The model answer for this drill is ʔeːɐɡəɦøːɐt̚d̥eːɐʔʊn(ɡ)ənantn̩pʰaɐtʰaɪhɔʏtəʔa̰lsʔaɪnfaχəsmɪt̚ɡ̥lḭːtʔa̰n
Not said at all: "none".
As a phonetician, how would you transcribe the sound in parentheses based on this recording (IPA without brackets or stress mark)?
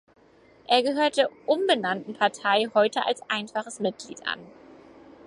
b